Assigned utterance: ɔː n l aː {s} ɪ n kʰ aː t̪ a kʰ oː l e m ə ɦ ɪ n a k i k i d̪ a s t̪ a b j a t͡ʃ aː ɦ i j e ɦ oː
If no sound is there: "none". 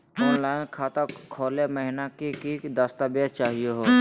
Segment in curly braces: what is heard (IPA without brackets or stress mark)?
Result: none